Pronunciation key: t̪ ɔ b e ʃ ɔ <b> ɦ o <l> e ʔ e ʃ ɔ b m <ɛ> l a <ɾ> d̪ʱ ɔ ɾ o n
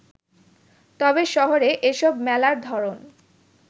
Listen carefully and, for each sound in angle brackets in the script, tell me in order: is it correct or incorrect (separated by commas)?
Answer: incorrect, incorrect, correct, correct